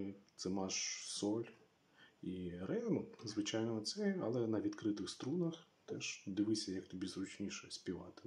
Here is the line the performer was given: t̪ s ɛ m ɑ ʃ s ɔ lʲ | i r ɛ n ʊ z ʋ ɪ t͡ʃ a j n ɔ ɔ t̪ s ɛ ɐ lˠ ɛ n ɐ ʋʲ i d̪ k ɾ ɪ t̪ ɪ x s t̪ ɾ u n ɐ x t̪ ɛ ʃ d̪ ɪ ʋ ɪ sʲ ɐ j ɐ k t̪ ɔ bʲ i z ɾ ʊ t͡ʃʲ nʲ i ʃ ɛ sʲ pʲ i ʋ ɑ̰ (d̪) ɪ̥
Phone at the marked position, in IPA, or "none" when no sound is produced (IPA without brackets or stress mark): t̪